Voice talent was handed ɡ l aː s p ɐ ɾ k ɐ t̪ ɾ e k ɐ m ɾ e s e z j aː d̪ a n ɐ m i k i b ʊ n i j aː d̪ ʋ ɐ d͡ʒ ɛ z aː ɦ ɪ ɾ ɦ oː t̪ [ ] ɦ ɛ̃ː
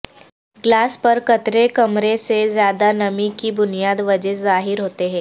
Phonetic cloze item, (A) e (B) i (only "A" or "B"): A